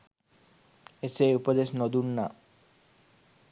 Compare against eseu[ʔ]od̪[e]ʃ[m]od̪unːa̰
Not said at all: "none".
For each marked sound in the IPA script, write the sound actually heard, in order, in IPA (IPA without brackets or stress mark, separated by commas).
p, e, n